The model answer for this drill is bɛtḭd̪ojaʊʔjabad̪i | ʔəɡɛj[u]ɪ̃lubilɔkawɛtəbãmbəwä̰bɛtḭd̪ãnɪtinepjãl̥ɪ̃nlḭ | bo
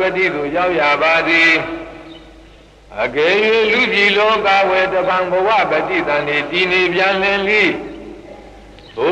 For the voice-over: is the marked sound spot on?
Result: no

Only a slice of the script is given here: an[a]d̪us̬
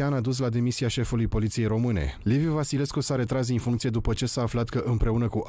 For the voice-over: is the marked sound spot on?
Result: yes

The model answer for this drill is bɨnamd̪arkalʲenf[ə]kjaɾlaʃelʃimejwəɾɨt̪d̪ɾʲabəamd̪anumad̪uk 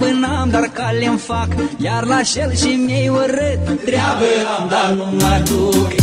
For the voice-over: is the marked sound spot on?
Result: no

